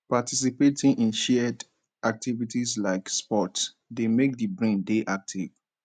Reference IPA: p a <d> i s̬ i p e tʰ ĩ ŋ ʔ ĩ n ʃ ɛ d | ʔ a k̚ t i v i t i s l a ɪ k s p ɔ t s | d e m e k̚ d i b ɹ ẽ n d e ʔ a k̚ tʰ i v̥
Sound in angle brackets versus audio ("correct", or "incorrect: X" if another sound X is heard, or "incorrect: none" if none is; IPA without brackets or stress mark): incorrect: t